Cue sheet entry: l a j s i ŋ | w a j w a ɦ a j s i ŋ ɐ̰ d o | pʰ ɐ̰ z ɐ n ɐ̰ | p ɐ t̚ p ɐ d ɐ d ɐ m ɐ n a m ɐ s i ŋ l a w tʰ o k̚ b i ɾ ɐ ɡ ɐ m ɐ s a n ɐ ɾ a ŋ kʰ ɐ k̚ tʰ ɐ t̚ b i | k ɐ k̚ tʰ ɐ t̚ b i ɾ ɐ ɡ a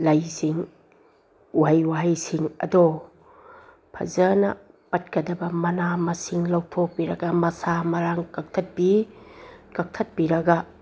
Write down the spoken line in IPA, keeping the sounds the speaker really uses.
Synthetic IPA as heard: l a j s i ŋ | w a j w a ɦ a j s i ŋ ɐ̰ d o | pʰ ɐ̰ z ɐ n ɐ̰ | p ɐ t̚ k ɐ d ɐ b ɐ m ɐ n a m ɐ s i ŋ l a w tʰ o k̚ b i ɾ ɐ ɡ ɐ m ɐ s a m ɐ ɾ a ŋ k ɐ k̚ tʰ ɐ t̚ b i | k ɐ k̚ tʰ ɐ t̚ b i ɾ ɐ ɡ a